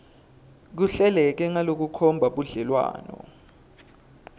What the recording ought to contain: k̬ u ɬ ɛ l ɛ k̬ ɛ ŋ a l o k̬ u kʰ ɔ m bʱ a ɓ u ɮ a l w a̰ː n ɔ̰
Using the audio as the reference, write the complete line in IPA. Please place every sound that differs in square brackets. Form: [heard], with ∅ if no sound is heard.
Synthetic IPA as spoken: k̬ u ɬ ɛ l ɛ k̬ ɛ ŋ a l o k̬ u kʰ ɔ m bʱ a ɓ u ɮ [ɛ] l w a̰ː n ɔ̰

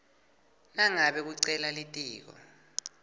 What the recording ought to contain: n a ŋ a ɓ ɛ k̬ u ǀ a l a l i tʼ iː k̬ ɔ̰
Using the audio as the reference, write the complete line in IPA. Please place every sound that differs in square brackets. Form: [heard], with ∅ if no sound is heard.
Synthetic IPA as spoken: n a ŋ a ɓ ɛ k̬ u ǀ [ɛ] l a l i tʼ iː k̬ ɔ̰

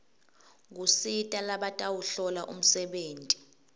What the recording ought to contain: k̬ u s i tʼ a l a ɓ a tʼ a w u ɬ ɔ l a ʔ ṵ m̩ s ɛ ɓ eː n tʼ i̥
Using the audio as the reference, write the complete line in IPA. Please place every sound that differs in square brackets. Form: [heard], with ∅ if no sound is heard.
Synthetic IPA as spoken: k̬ u s i tʼ a l a ɓ a tʼ a w u ɬ ɔ l a ʔ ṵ m̩ s ɛ ɓ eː n tʼ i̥

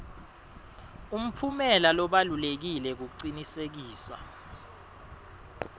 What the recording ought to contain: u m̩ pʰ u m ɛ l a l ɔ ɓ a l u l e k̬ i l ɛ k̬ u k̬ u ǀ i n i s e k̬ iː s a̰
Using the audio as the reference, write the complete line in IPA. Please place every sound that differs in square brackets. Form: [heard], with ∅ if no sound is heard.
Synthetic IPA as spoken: u m̩ pʰ u m ɛ l a l ɔ ɓ a l u l e k̬ i l ɛ k̬ u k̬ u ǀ i n i s e k̬ iː s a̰

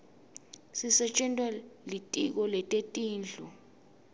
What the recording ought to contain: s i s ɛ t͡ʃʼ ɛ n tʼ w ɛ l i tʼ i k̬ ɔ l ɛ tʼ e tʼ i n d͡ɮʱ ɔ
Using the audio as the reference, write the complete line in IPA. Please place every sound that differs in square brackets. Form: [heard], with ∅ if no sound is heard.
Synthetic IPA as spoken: s i s ɛ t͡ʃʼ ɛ n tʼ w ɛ l i tʼ i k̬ ɔ l ɛ tʼ e tʼ [iː] n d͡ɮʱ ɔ

